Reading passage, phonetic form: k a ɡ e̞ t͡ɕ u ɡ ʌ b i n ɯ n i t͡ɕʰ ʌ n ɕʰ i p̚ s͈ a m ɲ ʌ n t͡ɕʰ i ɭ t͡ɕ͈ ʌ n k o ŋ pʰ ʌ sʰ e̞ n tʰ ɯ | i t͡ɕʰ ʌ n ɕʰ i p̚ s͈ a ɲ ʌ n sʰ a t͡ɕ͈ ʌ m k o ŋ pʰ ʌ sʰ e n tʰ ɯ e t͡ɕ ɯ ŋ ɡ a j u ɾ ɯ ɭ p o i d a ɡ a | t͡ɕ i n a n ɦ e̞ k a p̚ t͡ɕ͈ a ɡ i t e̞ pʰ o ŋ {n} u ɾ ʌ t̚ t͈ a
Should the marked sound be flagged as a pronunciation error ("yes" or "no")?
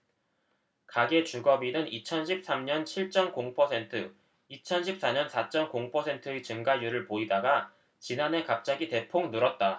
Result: no